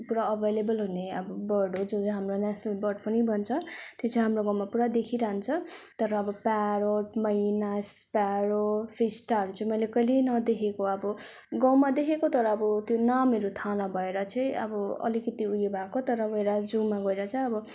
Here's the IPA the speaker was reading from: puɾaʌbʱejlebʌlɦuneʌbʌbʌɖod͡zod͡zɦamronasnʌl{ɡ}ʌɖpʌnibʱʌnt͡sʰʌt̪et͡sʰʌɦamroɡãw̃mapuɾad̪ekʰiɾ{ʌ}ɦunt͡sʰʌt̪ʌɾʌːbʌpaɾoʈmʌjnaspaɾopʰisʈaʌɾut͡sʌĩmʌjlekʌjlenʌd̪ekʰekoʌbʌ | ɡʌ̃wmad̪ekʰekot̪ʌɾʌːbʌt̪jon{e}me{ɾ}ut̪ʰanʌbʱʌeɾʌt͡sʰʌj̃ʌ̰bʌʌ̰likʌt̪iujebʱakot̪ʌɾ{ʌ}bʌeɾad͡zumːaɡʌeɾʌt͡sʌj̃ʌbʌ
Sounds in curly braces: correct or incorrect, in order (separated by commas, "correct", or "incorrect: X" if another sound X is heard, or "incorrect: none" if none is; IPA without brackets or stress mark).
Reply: incorrect: b, incorrect: a, incorrect: a, correct, correct